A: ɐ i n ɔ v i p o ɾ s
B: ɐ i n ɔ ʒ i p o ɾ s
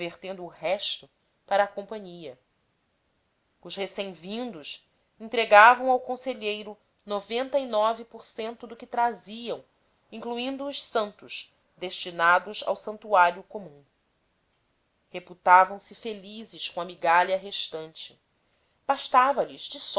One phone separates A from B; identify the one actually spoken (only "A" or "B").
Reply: A